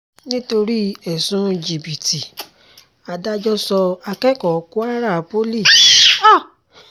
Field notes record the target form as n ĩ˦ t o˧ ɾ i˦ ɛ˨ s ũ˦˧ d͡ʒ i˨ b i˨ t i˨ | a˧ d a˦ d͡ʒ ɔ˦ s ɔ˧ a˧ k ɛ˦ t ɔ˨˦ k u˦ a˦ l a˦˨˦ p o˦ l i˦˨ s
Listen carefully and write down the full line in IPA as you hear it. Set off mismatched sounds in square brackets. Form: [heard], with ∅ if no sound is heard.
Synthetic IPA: n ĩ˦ t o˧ ɾ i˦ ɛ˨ s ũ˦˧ d͡ʒ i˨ b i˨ t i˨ | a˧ d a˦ d͡ʒ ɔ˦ s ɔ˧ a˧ k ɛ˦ [k] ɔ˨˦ k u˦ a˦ [ɾ] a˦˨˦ p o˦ l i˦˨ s